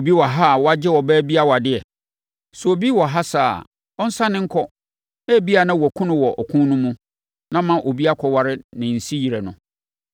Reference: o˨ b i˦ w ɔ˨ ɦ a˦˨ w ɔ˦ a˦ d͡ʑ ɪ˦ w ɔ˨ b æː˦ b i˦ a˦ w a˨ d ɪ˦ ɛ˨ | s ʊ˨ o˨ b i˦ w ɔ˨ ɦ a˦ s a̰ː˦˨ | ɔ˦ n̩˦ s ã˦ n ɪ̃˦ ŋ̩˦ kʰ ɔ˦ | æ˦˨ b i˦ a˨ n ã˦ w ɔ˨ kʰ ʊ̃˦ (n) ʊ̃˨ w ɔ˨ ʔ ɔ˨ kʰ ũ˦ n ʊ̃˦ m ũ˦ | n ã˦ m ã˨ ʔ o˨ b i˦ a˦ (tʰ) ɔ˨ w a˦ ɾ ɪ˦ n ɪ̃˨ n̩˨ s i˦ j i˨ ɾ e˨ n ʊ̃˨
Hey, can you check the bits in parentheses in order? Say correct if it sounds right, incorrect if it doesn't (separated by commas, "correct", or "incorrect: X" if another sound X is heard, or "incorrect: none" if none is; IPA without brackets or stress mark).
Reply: correct, incorrect: kʰ